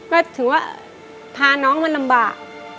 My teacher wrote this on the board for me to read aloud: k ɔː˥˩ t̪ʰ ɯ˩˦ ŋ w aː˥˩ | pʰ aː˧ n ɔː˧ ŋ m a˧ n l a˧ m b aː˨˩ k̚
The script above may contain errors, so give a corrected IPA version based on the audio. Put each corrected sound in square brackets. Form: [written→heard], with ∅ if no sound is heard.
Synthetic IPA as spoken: k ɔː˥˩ t̪ʰ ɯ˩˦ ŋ w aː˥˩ | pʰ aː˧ n [ɔː˧→ɔː˦˥] ŋ m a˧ n l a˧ m b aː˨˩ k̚